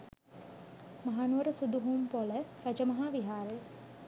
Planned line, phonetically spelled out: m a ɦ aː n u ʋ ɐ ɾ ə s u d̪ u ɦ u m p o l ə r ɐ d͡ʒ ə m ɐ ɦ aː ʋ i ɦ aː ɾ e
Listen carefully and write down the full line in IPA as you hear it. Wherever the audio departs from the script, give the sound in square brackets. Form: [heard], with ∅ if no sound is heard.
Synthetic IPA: m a ɦ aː n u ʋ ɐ ɾ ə s u d̪ u ɦ u m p o l ə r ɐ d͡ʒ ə m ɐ ɦ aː ʋ i ɦ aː ɾ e